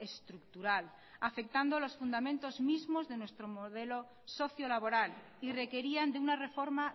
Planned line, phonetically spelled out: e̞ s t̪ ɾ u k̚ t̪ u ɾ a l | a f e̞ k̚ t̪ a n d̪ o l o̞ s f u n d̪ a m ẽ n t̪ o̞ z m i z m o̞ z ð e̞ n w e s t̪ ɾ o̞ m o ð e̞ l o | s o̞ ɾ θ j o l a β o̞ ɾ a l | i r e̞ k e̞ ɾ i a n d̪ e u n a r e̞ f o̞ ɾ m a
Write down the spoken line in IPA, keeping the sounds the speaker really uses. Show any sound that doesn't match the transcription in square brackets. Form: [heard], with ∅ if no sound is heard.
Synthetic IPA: e̞ s t̪ ɾ u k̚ t̪ u ɾ a l | a f e̞ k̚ t̪ a n d̪ o l o̞ s f u n d̪ a m ẽ n t̪ o̞ z m i z m o̞ z ð e̞ n w e s t̪ ɾ o̞ m o ð e̞ l o | s o̞ [∅] θ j o l a β o̞ ɾ a l | i r e̞ k e̞ ɾ i a n d̪ e u n a r e̞ f o̞ ɾ m a